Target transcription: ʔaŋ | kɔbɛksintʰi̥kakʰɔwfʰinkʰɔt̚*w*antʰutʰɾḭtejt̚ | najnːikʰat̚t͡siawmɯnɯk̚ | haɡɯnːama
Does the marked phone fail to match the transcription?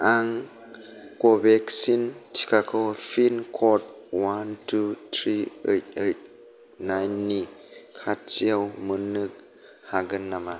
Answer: no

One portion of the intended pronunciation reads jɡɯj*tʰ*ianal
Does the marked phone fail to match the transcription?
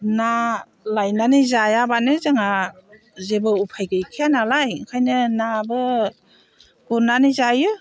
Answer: yes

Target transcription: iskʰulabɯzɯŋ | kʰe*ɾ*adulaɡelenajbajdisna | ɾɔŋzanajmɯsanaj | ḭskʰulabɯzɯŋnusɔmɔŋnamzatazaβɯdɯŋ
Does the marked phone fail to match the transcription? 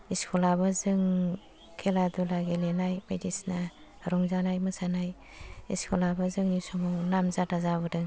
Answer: yes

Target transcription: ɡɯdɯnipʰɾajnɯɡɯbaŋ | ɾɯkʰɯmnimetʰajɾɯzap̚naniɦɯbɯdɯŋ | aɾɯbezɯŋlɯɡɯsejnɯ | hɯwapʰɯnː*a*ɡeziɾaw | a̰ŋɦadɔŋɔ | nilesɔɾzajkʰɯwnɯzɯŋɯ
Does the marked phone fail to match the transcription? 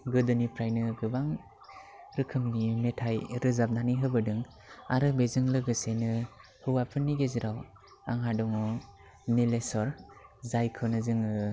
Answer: yes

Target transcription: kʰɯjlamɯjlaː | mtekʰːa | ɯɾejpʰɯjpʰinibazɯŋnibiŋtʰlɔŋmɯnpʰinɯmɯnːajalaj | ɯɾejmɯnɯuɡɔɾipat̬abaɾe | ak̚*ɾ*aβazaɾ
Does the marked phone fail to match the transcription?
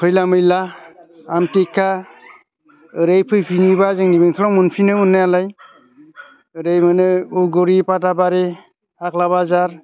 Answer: yes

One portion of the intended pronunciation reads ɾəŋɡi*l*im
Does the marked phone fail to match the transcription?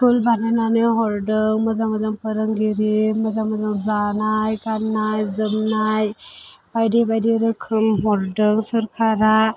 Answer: yes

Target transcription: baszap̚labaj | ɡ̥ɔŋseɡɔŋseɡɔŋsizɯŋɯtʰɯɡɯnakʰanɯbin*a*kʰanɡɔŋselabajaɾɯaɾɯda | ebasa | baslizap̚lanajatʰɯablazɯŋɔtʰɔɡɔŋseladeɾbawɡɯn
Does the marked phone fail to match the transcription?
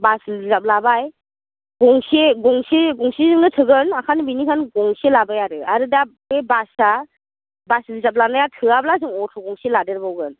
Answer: yes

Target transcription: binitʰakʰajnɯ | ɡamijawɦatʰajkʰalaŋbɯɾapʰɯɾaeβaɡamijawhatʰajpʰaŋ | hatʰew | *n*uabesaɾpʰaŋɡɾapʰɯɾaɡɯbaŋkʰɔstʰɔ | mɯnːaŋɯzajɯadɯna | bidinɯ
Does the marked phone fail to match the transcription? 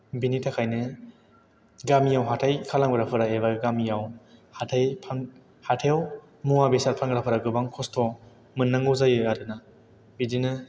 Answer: yes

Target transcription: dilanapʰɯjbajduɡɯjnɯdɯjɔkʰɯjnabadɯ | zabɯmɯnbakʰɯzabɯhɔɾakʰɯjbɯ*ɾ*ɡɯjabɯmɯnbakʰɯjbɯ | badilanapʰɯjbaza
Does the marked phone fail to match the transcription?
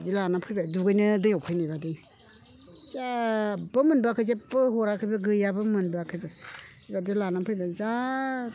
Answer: yes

